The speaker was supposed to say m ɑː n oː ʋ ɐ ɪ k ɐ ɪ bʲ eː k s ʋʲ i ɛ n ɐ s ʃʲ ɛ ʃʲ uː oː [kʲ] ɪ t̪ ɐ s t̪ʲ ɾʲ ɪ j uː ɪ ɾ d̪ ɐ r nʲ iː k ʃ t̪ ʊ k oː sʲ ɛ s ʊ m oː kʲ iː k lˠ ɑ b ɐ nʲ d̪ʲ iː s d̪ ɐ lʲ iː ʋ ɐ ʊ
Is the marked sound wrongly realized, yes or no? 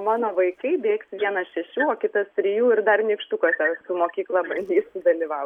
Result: no